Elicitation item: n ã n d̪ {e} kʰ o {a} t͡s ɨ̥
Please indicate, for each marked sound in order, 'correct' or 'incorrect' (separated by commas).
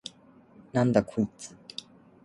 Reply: incorrect, incorrect